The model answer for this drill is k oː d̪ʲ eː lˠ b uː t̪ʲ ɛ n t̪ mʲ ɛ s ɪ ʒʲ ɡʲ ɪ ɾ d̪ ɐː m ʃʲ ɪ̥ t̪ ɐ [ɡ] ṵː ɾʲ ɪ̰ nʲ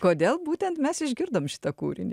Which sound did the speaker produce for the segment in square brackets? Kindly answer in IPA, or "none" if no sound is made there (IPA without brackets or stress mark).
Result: k